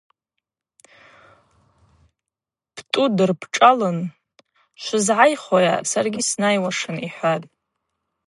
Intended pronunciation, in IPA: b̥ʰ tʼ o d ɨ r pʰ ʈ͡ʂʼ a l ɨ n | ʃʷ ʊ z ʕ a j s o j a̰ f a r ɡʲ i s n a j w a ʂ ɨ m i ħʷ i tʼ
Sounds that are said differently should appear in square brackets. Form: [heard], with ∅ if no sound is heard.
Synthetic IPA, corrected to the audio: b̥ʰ tʼ [u] d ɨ r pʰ ʈ͡ʂʼ a l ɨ n | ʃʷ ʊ z ʕ a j [χ] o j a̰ [s] a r ɡʲ i s n a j w a ʂ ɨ [n] i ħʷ [a] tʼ

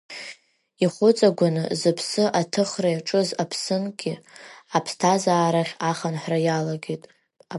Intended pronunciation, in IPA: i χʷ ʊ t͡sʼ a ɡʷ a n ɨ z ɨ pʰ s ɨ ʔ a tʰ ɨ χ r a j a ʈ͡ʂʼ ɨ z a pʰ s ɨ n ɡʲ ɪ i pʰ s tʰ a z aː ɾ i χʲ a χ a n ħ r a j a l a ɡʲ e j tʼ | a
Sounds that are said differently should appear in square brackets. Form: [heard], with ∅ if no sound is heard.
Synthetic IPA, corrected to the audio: i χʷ ʊ t͡sʼ a ɡʷ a n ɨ z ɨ pʰ s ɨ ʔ a tʰ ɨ χ r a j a ʈ͡ʂʼ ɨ z a pʰ s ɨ n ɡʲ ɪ [a] pʰ s tʰ a z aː ɾ [a] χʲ a χ a n ħ r a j a l a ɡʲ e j tʼ | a

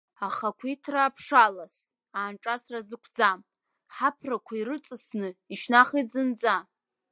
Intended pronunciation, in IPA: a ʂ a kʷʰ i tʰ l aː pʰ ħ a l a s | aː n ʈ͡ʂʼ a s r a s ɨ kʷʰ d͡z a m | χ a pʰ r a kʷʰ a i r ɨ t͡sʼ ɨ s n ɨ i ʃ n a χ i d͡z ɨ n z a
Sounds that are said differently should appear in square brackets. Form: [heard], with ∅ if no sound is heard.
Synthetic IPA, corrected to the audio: a [χ] a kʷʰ i tʰ [r] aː pʰ [ʂ] a l a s | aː n ʈ͡ʂʼ a s r a [z] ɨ kʷʰ d͡z a m | [ħ] a pʰ r a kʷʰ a i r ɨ t͡sʼ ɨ s n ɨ i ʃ n a χ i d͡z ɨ n [d͡z] a

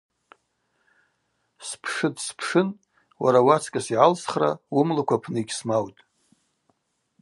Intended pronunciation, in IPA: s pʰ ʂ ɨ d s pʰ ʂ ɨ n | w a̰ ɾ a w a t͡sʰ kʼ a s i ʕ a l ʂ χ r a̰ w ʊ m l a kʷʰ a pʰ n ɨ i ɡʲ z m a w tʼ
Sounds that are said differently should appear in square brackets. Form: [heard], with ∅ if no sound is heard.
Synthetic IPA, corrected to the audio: s pʰ ʂ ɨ d s pʰ ʂ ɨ n | w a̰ ɾ a w a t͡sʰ kʼ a s i ʕ a l [s] χ r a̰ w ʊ m l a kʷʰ a pʰ n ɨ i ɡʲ [s] m a w tʼ

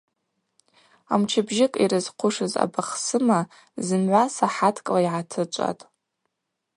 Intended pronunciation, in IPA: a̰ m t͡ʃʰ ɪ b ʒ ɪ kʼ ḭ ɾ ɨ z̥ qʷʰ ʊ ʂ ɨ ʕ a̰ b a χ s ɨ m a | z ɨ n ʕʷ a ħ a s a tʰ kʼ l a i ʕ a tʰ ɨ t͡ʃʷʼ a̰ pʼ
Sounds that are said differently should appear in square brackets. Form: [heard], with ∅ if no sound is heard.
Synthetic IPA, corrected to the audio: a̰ m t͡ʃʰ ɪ b ʒ ɪ kʼ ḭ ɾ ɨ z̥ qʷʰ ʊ ʂ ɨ [z] a̰ b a χ s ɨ m a | z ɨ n ʕʷ a [s] a [ħ] a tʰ kʼ l a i ʕ a tʰ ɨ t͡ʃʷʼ a̰ [tʼ]

